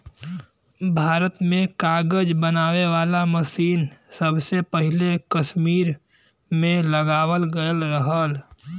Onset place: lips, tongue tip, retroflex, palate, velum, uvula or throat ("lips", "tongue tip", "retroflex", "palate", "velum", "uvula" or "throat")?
lips